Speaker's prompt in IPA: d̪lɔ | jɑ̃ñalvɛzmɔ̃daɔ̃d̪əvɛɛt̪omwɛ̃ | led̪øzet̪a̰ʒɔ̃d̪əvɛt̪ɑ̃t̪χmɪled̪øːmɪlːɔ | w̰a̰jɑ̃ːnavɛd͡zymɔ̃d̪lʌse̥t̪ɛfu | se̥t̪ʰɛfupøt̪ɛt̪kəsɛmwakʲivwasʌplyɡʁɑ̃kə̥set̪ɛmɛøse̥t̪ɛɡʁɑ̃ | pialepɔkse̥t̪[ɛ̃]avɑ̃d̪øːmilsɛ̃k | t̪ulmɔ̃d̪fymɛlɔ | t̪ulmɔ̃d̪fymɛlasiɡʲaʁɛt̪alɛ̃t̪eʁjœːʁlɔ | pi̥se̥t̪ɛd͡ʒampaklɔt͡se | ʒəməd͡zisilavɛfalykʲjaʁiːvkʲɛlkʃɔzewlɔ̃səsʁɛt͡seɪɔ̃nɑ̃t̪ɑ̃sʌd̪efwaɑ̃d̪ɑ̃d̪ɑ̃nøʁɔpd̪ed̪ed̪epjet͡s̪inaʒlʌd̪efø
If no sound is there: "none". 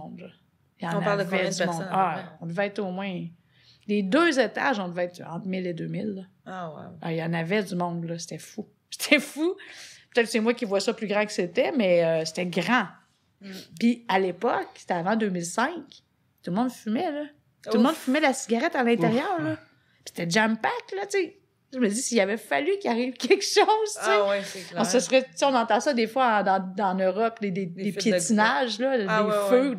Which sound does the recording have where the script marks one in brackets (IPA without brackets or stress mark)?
ɛ